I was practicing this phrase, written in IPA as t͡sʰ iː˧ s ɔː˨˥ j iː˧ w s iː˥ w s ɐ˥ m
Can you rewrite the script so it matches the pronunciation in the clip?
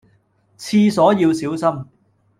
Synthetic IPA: t͡sʰ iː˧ s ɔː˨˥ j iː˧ w s iː˨˥ w s ɐ˥ m